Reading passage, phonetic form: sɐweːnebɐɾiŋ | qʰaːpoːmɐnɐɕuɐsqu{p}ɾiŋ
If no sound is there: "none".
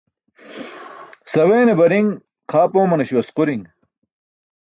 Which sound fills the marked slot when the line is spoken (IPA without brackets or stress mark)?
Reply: none